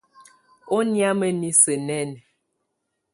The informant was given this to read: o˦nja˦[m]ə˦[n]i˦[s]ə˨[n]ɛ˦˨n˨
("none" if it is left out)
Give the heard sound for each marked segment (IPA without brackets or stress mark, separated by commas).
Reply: m, n, s, n